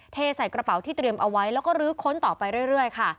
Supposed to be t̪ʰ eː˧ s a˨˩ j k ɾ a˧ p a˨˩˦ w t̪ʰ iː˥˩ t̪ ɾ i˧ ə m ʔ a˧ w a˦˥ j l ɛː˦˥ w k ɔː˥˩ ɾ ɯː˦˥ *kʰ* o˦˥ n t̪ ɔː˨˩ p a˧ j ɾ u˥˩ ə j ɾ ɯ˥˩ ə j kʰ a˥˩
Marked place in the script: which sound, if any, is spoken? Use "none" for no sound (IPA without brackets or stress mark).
kʰ